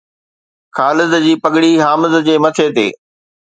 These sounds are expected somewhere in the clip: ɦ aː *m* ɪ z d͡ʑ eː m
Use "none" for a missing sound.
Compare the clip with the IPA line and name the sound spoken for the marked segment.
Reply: m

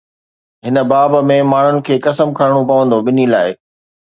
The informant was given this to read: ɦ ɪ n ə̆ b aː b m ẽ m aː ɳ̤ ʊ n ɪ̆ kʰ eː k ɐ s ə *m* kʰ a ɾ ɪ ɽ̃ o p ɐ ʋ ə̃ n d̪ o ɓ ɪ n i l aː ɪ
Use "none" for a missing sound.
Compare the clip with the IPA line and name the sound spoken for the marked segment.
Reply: m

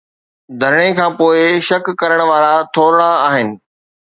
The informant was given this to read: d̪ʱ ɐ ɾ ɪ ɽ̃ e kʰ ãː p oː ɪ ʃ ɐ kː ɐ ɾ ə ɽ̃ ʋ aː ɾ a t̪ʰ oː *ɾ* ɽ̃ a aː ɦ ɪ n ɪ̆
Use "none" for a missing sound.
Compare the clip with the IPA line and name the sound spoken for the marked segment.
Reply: ɾ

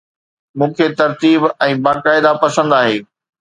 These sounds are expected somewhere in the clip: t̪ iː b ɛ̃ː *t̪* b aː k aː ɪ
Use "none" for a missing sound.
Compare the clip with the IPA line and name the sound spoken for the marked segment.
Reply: none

